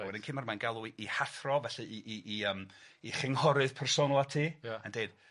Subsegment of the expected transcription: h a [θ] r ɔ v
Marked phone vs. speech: correct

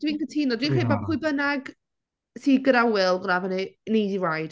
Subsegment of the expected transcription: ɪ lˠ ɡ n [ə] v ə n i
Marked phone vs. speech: incorrect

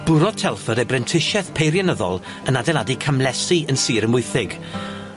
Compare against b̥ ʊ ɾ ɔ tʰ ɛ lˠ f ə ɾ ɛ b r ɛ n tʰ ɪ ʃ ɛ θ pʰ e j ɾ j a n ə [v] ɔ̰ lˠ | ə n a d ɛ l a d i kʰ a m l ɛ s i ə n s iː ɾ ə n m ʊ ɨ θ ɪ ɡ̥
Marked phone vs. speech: incorrect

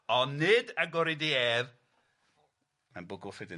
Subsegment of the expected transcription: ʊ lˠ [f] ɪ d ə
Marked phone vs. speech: correct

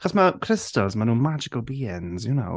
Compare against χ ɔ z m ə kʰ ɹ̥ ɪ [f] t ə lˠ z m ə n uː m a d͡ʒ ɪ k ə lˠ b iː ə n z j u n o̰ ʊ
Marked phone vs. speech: incorrect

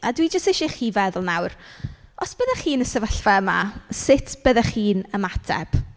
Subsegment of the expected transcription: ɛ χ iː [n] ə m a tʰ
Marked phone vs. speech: correct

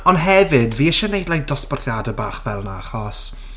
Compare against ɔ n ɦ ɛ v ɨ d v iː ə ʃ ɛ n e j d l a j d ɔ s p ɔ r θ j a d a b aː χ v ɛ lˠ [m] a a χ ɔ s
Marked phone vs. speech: incorrect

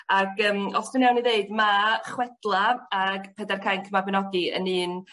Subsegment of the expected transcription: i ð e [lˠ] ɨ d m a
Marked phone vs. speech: incorrect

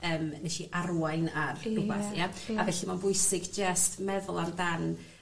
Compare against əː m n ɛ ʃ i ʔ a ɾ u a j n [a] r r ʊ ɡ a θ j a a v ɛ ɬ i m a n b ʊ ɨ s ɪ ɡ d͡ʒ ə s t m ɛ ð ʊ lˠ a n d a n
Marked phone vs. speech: correct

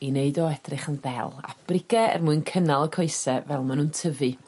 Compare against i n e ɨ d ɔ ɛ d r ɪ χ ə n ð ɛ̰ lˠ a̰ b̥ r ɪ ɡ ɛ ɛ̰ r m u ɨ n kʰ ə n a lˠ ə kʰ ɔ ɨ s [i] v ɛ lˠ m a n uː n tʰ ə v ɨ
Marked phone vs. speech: incorrect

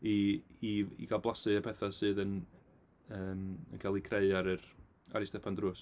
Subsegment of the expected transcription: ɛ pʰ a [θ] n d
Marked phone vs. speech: incorrect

